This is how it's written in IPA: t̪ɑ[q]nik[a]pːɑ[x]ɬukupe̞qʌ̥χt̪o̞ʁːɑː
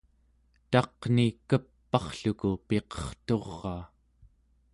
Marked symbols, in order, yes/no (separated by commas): yes, no, no